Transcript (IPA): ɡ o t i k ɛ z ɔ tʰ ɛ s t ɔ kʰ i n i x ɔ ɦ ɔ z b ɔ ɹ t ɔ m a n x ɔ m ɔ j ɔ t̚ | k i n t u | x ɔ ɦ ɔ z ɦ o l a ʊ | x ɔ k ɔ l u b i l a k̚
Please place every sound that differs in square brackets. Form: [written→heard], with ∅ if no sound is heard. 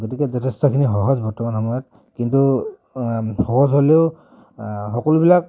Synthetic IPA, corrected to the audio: ɡ o t i k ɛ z ɔ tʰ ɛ s t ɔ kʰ i n i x ɔ ɦ ɔ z b ɔ ɹ t ɔ m a n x ɔ m ɔ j ɔ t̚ | k i n t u | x ɔ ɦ ɔ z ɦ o l [a→e] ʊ | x ɔ k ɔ l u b i l a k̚